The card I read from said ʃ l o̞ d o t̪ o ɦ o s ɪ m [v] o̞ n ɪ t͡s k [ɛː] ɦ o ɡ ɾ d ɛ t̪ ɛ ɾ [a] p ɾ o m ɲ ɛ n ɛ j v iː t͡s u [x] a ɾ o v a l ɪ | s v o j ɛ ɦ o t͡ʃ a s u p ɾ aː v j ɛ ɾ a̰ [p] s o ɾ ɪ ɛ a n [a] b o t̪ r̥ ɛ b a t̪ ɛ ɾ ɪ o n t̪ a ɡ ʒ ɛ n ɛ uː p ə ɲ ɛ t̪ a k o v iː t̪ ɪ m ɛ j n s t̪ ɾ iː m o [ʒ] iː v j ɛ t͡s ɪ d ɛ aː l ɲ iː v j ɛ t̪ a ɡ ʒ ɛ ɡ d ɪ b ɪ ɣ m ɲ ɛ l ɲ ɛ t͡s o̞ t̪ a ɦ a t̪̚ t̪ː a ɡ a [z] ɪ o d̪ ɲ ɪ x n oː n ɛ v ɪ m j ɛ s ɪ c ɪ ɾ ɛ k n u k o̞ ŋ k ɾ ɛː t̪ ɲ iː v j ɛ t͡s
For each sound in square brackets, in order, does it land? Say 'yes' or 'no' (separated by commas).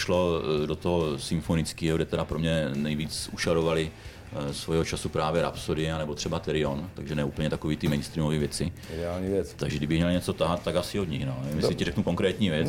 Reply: no, no, yes, no, yes, no, no, no